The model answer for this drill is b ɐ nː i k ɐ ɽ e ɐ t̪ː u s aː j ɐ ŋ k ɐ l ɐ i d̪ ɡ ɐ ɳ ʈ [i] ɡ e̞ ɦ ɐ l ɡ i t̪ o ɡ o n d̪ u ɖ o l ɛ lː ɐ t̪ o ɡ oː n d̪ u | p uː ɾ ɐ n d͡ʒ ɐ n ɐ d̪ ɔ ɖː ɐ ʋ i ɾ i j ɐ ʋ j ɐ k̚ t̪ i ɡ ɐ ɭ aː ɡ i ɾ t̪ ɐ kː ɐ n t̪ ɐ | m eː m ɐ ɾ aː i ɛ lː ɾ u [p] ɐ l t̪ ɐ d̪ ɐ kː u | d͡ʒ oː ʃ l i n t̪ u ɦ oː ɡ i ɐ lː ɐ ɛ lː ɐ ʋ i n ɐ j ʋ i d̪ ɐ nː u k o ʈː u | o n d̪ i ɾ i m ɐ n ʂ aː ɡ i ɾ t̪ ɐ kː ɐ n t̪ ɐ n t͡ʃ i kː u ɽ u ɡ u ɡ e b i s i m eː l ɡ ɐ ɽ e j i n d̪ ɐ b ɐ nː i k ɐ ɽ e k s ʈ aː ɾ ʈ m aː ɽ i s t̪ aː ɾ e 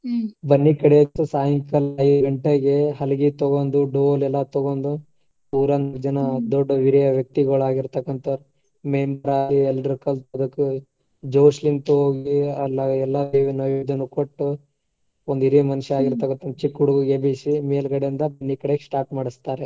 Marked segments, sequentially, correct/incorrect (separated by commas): incorrect, incorrect